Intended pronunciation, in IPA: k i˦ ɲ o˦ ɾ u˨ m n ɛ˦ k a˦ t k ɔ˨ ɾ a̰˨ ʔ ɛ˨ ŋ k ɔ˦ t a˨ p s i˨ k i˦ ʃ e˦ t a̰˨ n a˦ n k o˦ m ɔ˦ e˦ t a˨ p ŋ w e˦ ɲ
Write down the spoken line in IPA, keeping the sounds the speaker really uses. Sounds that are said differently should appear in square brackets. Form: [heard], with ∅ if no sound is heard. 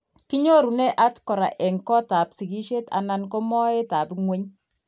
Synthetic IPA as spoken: k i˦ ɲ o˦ ɾ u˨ [∅] n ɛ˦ [ʔ] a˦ t k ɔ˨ ɾ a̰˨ ʔ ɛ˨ ŋ k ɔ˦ t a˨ p s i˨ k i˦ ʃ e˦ t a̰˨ n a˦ n k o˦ m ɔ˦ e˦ t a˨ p ŋ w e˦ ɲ